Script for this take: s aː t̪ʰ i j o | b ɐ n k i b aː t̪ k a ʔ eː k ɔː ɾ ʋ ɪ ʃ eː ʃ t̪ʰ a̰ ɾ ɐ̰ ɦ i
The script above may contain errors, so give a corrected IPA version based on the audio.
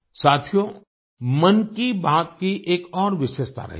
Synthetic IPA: s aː t̪ʰ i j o | m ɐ n k i b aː t̪ k i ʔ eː k ɔː ɾ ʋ ɪ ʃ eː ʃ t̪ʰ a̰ ɾ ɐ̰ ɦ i